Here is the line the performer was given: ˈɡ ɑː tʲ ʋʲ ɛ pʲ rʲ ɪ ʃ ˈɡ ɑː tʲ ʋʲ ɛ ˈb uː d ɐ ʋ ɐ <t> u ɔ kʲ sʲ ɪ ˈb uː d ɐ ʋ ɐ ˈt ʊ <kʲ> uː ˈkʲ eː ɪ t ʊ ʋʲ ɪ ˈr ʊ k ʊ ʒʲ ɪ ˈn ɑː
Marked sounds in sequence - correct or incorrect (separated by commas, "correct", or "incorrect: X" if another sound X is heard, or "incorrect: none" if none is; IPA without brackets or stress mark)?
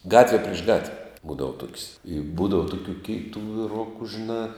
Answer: correct, correct